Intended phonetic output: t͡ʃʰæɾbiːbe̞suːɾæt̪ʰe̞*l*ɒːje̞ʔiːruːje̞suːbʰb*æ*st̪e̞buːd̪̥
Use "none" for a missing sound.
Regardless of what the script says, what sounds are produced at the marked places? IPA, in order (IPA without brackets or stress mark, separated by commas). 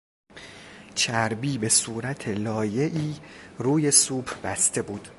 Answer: l, æ